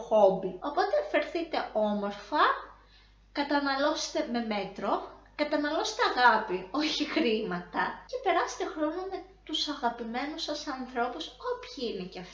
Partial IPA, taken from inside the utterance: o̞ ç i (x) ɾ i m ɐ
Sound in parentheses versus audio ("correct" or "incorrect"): correct